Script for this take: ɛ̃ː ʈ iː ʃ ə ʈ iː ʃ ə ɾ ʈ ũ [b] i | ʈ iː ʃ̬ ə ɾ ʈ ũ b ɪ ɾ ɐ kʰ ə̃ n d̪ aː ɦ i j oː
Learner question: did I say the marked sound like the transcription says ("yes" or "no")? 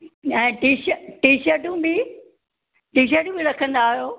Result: yes